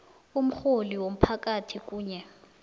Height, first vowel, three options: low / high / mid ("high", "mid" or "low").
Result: high